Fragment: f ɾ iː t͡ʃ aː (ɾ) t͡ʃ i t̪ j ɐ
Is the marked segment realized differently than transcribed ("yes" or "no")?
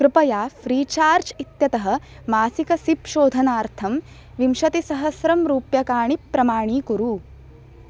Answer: no